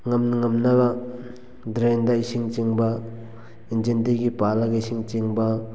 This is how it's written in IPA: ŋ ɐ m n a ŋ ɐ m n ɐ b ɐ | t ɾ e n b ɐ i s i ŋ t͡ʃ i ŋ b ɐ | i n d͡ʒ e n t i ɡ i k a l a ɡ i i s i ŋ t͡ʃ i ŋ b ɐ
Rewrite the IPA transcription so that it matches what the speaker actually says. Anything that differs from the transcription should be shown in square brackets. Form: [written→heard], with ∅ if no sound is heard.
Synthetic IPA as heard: ŋ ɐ m n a ŋ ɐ m n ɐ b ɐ | [t→d] ɾ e n [b→d] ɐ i s i ŋ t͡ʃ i ŋ b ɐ | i n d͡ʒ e n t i ɡ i [k→p] a l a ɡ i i s i ŋ t͡ʃ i ŋ b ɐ